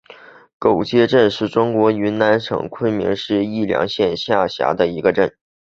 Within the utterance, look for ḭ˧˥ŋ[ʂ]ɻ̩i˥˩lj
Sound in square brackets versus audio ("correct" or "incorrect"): correct